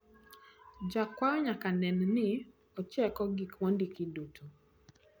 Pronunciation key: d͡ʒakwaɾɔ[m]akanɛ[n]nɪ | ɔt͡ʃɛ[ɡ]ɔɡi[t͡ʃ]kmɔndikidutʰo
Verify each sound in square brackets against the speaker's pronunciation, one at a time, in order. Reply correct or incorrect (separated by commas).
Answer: incorrect, correct, incorrect, incorrect